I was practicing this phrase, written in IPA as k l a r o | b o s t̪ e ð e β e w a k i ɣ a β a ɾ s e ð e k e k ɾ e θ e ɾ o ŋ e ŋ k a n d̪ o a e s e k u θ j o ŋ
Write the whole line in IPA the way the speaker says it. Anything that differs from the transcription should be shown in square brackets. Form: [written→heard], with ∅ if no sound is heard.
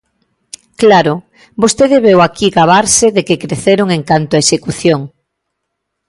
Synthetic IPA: k l a [r→ɾ] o | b o s t̪ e ð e β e w a k i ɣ a β a ɾ s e ð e k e k ɾ e θ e ɾ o ŋ e ŋ k a n [d̪→t̪] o a e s e k u θ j o ŋ